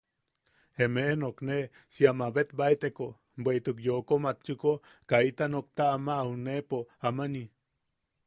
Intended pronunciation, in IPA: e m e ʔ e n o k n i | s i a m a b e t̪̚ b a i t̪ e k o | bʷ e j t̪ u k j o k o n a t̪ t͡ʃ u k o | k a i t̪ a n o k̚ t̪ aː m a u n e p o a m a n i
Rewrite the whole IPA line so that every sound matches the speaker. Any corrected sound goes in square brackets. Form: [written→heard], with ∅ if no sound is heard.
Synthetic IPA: e m e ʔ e n o k n [i→e] | s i a m a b e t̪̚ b a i t̪ e k o | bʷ e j t̪ u k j o k o [n→m] a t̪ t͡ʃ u k o | k a i t̪ a n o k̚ t̪ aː m a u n e p o a m a n i